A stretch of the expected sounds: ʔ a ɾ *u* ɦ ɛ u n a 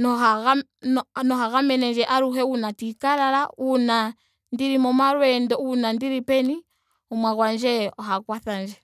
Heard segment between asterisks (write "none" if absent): u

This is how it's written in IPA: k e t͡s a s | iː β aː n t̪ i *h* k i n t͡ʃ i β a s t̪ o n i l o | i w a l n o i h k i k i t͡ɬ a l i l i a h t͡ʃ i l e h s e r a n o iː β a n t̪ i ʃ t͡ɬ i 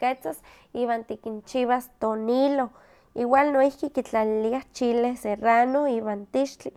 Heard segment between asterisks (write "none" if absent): none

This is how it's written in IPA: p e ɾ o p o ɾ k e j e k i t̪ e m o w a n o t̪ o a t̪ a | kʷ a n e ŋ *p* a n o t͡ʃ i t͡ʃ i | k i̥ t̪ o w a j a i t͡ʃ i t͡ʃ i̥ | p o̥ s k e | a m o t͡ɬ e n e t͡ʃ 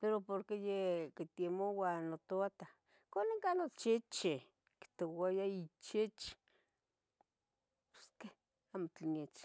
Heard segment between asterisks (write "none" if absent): k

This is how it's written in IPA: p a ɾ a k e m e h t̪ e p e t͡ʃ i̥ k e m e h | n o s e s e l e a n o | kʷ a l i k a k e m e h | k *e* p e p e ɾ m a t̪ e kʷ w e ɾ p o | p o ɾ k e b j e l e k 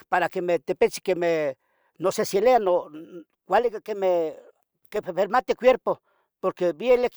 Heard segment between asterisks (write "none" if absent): e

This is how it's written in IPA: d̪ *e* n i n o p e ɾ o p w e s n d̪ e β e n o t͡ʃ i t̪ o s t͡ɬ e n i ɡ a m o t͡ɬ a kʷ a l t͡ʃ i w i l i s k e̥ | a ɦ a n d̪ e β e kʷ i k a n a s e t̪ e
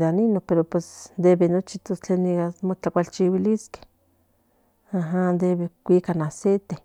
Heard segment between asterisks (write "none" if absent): a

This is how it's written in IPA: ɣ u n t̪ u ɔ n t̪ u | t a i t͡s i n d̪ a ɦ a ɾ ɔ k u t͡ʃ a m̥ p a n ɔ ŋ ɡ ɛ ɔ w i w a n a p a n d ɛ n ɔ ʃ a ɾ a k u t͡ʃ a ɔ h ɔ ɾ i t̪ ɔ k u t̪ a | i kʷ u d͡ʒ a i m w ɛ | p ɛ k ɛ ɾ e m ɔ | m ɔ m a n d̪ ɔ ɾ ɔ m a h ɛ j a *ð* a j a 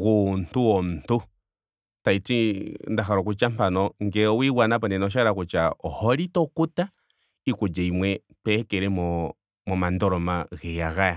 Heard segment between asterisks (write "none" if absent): ɣ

